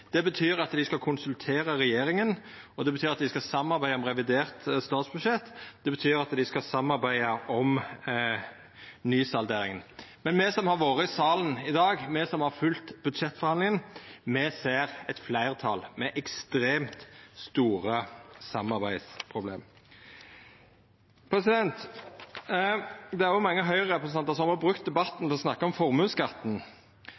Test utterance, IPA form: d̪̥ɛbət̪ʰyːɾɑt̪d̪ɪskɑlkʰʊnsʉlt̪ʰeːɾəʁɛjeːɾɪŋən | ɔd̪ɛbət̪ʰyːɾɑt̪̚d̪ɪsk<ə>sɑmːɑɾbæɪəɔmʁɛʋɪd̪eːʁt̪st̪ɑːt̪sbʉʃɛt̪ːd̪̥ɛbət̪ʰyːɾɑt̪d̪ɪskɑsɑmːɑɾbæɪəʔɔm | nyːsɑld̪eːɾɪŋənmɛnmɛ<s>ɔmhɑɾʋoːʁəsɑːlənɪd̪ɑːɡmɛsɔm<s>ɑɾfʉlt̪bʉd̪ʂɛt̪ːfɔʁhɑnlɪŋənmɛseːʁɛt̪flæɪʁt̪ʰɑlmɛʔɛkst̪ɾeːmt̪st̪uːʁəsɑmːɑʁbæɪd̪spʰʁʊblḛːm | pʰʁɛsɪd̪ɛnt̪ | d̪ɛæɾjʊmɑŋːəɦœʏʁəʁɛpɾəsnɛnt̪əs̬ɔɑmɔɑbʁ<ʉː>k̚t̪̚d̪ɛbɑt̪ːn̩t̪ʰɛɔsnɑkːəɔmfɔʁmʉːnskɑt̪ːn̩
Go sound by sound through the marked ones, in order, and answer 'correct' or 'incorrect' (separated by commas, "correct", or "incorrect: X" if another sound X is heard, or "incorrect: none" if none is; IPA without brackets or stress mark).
incorrect: ɑ, correct, incorrect: h, incorrect: ʉ